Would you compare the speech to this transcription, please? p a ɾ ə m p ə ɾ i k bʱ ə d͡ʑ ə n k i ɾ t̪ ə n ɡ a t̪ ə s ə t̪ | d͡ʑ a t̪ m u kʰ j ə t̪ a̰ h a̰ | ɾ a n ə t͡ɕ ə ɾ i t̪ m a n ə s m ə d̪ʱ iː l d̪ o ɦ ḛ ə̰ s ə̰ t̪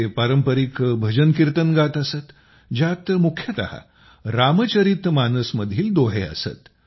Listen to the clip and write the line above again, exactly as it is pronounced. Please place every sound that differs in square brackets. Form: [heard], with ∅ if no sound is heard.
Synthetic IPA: p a ɾ ə m p ə ɾ i k bʱ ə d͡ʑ ə n k i ɾ t̪ ə n ɡ a t̪ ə s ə t̪ | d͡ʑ a t̪ m u kʰ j ə t̪ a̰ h a̰ | ɾ a [m] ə t͡ɕ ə ɾ i t̪ m a n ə s m ə d̪ʱ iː l d̪ o ɦ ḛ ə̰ s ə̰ t̪